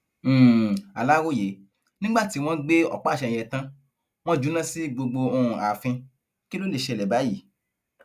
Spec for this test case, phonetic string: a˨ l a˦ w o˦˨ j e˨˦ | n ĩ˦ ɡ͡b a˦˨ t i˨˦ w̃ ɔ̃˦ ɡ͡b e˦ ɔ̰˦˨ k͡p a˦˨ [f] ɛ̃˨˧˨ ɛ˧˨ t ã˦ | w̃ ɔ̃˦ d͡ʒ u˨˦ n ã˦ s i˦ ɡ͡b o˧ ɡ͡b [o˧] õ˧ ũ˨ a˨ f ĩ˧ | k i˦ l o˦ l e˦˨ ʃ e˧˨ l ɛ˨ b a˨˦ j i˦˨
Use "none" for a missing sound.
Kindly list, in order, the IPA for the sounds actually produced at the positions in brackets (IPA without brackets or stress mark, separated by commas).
ʃ, o˧